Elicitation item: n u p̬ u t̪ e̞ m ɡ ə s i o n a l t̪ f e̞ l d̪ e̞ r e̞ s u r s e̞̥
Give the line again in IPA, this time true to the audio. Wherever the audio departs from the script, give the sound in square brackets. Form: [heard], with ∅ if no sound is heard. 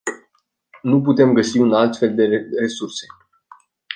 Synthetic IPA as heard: n u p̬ u t̪ e̞ m ɡ ə s i [u] n a l t̪ f e̞ l d̪ e̞ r e̞ s u r s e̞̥